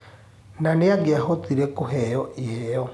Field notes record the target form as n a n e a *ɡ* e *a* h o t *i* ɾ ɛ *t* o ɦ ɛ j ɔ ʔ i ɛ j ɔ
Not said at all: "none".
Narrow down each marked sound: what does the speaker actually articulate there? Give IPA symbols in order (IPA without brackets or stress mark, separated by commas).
ɡ, a, i, k